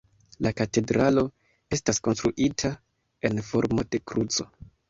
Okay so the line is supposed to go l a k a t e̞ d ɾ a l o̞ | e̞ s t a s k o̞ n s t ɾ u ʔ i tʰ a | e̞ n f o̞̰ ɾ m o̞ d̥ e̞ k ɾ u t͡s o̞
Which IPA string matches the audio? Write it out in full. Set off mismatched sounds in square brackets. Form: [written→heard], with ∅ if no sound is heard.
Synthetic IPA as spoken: l a k a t e̞ d ɾ a l o̞ | e̞ s t a s k o̞ n s t ɾ u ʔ i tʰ a | e̞ n f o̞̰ ɾ m o̞ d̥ e̞ k ɾ u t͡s o̞